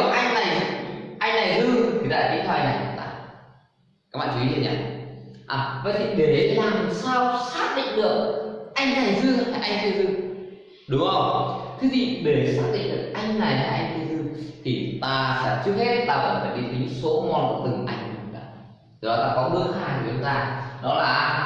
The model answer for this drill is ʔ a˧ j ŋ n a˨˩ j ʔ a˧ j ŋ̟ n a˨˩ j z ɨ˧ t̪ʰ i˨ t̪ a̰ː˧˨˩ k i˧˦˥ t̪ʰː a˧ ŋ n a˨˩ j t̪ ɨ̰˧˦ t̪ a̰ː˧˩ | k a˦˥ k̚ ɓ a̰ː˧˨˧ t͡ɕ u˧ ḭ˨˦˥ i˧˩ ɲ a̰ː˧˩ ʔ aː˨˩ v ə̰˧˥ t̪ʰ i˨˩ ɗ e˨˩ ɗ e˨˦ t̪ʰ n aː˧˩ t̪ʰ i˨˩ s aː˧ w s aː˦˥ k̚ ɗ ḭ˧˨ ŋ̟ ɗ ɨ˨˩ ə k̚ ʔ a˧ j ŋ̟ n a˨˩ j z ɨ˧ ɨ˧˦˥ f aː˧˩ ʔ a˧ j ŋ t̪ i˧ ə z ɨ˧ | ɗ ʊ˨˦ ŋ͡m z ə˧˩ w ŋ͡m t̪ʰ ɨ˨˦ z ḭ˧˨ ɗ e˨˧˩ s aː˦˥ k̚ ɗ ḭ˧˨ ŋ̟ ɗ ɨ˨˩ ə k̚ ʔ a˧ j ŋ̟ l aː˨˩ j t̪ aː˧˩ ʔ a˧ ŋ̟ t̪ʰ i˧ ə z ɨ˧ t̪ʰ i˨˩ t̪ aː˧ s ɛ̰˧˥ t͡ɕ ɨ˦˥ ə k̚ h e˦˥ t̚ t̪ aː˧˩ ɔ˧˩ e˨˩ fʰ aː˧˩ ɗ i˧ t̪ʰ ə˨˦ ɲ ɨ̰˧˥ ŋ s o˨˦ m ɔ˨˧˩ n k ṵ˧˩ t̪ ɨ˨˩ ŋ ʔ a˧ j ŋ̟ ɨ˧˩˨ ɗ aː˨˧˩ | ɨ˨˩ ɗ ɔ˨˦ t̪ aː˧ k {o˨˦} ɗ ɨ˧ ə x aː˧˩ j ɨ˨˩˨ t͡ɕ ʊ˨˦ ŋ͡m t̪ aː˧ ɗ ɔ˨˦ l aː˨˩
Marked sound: incorrect: ɔ˨˦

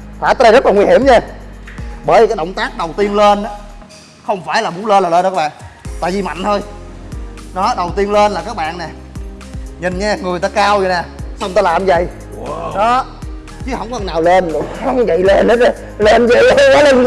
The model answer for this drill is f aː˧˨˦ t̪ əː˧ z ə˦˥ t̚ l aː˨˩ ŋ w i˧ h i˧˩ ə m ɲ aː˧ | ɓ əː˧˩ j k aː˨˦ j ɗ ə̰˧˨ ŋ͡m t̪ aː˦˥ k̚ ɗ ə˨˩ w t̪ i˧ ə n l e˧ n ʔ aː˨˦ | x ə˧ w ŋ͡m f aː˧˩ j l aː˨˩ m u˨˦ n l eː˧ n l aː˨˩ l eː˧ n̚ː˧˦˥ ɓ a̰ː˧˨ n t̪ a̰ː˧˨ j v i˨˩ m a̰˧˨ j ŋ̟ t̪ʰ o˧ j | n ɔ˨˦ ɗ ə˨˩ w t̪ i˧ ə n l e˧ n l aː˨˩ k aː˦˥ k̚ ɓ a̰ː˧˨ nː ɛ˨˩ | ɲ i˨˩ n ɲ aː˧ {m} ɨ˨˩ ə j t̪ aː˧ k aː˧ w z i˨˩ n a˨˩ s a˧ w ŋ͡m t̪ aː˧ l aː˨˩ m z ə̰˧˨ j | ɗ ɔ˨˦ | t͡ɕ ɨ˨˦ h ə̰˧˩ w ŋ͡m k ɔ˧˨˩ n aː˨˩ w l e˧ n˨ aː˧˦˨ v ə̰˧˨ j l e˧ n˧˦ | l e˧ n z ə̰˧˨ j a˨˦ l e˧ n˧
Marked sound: incorrect: ŋ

